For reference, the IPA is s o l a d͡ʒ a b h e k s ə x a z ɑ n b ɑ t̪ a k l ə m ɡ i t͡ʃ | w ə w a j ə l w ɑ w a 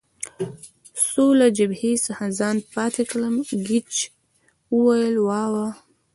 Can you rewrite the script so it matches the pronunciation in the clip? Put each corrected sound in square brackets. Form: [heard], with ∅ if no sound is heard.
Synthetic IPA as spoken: s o l a d͡ʒ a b h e [∅] s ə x a z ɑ n [p] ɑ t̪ [e] k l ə m ɡ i t͡ʃ | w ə w a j ə l w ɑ w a